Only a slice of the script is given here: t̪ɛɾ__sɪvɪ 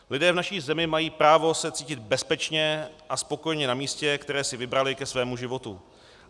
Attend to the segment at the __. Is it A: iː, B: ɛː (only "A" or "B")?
B